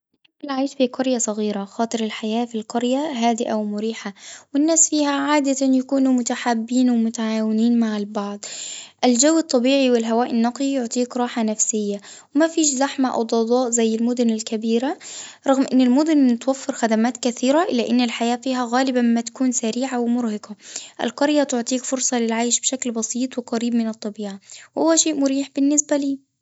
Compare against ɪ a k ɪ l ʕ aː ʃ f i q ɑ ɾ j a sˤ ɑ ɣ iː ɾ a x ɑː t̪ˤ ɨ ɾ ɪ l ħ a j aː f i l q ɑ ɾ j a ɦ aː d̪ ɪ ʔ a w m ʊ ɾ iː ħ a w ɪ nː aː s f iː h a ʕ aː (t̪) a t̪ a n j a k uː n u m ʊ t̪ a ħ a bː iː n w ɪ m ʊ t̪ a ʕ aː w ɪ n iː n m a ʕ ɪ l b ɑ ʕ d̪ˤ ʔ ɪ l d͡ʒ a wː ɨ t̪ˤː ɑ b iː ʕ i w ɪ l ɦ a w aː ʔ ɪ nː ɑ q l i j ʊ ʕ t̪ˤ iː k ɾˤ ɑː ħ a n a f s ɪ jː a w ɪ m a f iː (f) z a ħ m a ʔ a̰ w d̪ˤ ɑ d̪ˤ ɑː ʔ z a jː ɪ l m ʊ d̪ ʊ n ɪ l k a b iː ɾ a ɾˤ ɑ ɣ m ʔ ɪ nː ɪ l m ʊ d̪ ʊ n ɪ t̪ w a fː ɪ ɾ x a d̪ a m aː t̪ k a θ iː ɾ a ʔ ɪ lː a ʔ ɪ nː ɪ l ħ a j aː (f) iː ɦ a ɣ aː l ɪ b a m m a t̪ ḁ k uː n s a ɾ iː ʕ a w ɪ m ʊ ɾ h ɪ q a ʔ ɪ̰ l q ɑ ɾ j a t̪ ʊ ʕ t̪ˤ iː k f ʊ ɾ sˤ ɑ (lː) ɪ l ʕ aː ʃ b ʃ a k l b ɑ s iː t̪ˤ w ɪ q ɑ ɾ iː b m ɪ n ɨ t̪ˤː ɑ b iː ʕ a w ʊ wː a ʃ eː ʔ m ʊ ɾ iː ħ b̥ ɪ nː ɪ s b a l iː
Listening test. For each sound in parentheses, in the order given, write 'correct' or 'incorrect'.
incorrect: d̪, incorrect: ʃ, correct, incorrect: l

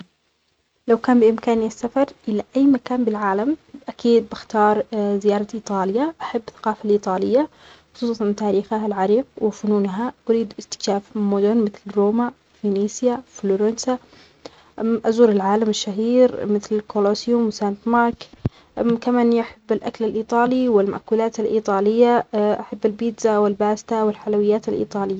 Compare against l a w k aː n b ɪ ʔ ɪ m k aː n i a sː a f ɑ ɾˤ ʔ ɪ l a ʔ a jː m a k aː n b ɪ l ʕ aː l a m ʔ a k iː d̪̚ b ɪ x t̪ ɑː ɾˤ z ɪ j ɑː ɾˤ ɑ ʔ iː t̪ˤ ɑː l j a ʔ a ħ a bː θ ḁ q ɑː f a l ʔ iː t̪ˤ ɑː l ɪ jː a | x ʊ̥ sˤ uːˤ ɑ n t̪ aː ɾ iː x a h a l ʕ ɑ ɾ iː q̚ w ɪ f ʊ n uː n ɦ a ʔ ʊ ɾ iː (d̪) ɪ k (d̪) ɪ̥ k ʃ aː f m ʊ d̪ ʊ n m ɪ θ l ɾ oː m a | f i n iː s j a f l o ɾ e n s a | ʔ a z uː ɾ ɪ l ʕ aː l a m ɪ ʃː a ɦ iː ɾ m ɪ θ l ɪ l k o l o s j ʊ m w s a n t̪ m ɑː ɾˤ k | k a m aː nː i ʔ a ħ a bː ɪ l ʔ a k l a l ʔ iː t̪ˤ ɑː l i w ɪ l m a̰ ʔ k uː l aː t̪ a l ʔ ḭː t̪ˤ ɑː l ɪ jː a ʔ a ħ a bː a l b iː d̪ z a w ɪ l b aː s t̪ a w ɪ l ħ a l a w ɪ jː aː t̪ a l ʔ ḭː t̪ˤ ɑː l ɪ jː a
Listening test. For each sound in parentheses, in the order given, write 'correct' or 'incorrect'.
correct, incorrect: t̪

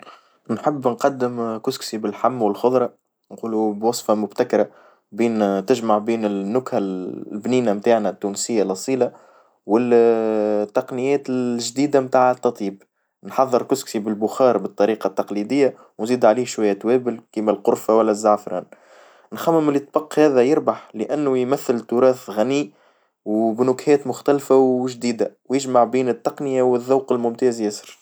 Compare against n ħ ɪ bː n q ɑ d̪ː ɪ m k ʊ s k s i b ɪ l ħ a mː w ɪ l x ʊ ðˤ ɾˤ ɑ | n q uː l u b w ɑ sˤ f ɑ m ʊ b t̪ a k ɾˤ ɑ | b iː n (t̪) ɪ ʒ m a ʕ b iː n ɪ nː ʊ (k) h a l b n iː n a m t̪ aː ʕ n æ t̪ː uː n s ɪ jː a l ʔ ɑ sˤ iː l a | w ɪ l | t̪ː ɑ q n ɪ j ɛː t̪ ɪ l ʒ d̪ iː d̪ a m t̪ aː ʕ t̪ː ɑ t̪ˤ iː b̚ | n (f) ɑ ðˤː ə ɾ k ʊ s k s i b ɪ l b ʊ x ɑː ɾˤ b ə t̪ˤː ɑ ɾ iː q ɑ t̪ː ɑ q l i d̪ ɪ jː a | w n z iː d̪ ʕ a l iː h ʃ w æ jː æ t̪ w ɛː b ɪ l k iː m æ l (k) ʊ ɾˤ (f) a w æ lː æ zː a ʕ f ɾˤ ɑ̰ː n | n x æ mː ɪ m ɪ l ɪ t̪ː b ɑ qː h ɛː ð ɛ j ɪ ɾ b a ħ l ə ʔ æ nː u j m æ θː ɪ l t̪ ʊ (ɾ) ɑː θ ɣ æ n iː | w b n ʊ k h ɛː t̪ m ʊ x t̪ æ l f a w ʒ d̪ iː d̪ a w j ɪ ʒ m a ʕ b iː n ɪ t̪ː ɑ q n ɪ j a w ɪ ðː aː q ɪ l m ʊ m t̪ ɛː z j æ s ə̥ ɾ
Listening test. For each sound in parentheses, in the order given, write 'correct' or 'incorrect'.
correct, correct, incorrect: ħ, incorrect: q, correct, correct

